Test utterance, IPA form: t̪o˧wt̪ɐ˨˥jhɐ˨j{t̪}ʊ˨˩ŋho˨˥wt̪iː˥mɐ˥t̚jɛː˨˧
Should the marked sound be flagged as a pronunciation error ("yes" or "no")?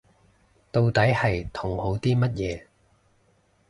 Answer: yes